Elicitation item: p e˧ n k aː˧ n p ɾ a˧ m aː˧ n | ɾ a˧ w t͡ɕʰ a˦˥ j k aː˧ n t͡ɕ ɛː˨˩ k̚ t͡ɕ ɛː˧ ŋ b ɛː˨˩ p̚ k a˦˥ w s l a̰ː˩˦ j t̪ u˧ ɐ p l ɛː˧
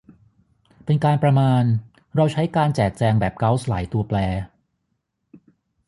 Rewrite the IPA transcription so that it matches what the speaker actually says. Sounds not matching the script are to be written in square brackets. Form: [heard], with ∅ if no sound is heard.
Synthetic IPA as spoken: p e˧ n k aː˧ n p ɾ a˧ m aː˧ n | ɾ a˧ w t͡ɕʰ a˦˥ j k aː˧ n t͡ɕ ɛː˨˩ k̚ t͡ɕ ɛː˧ ŋ b ɛː˨˩ p̚ k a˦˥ w s l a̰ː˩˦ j t̪ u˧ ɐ p l ɛː˧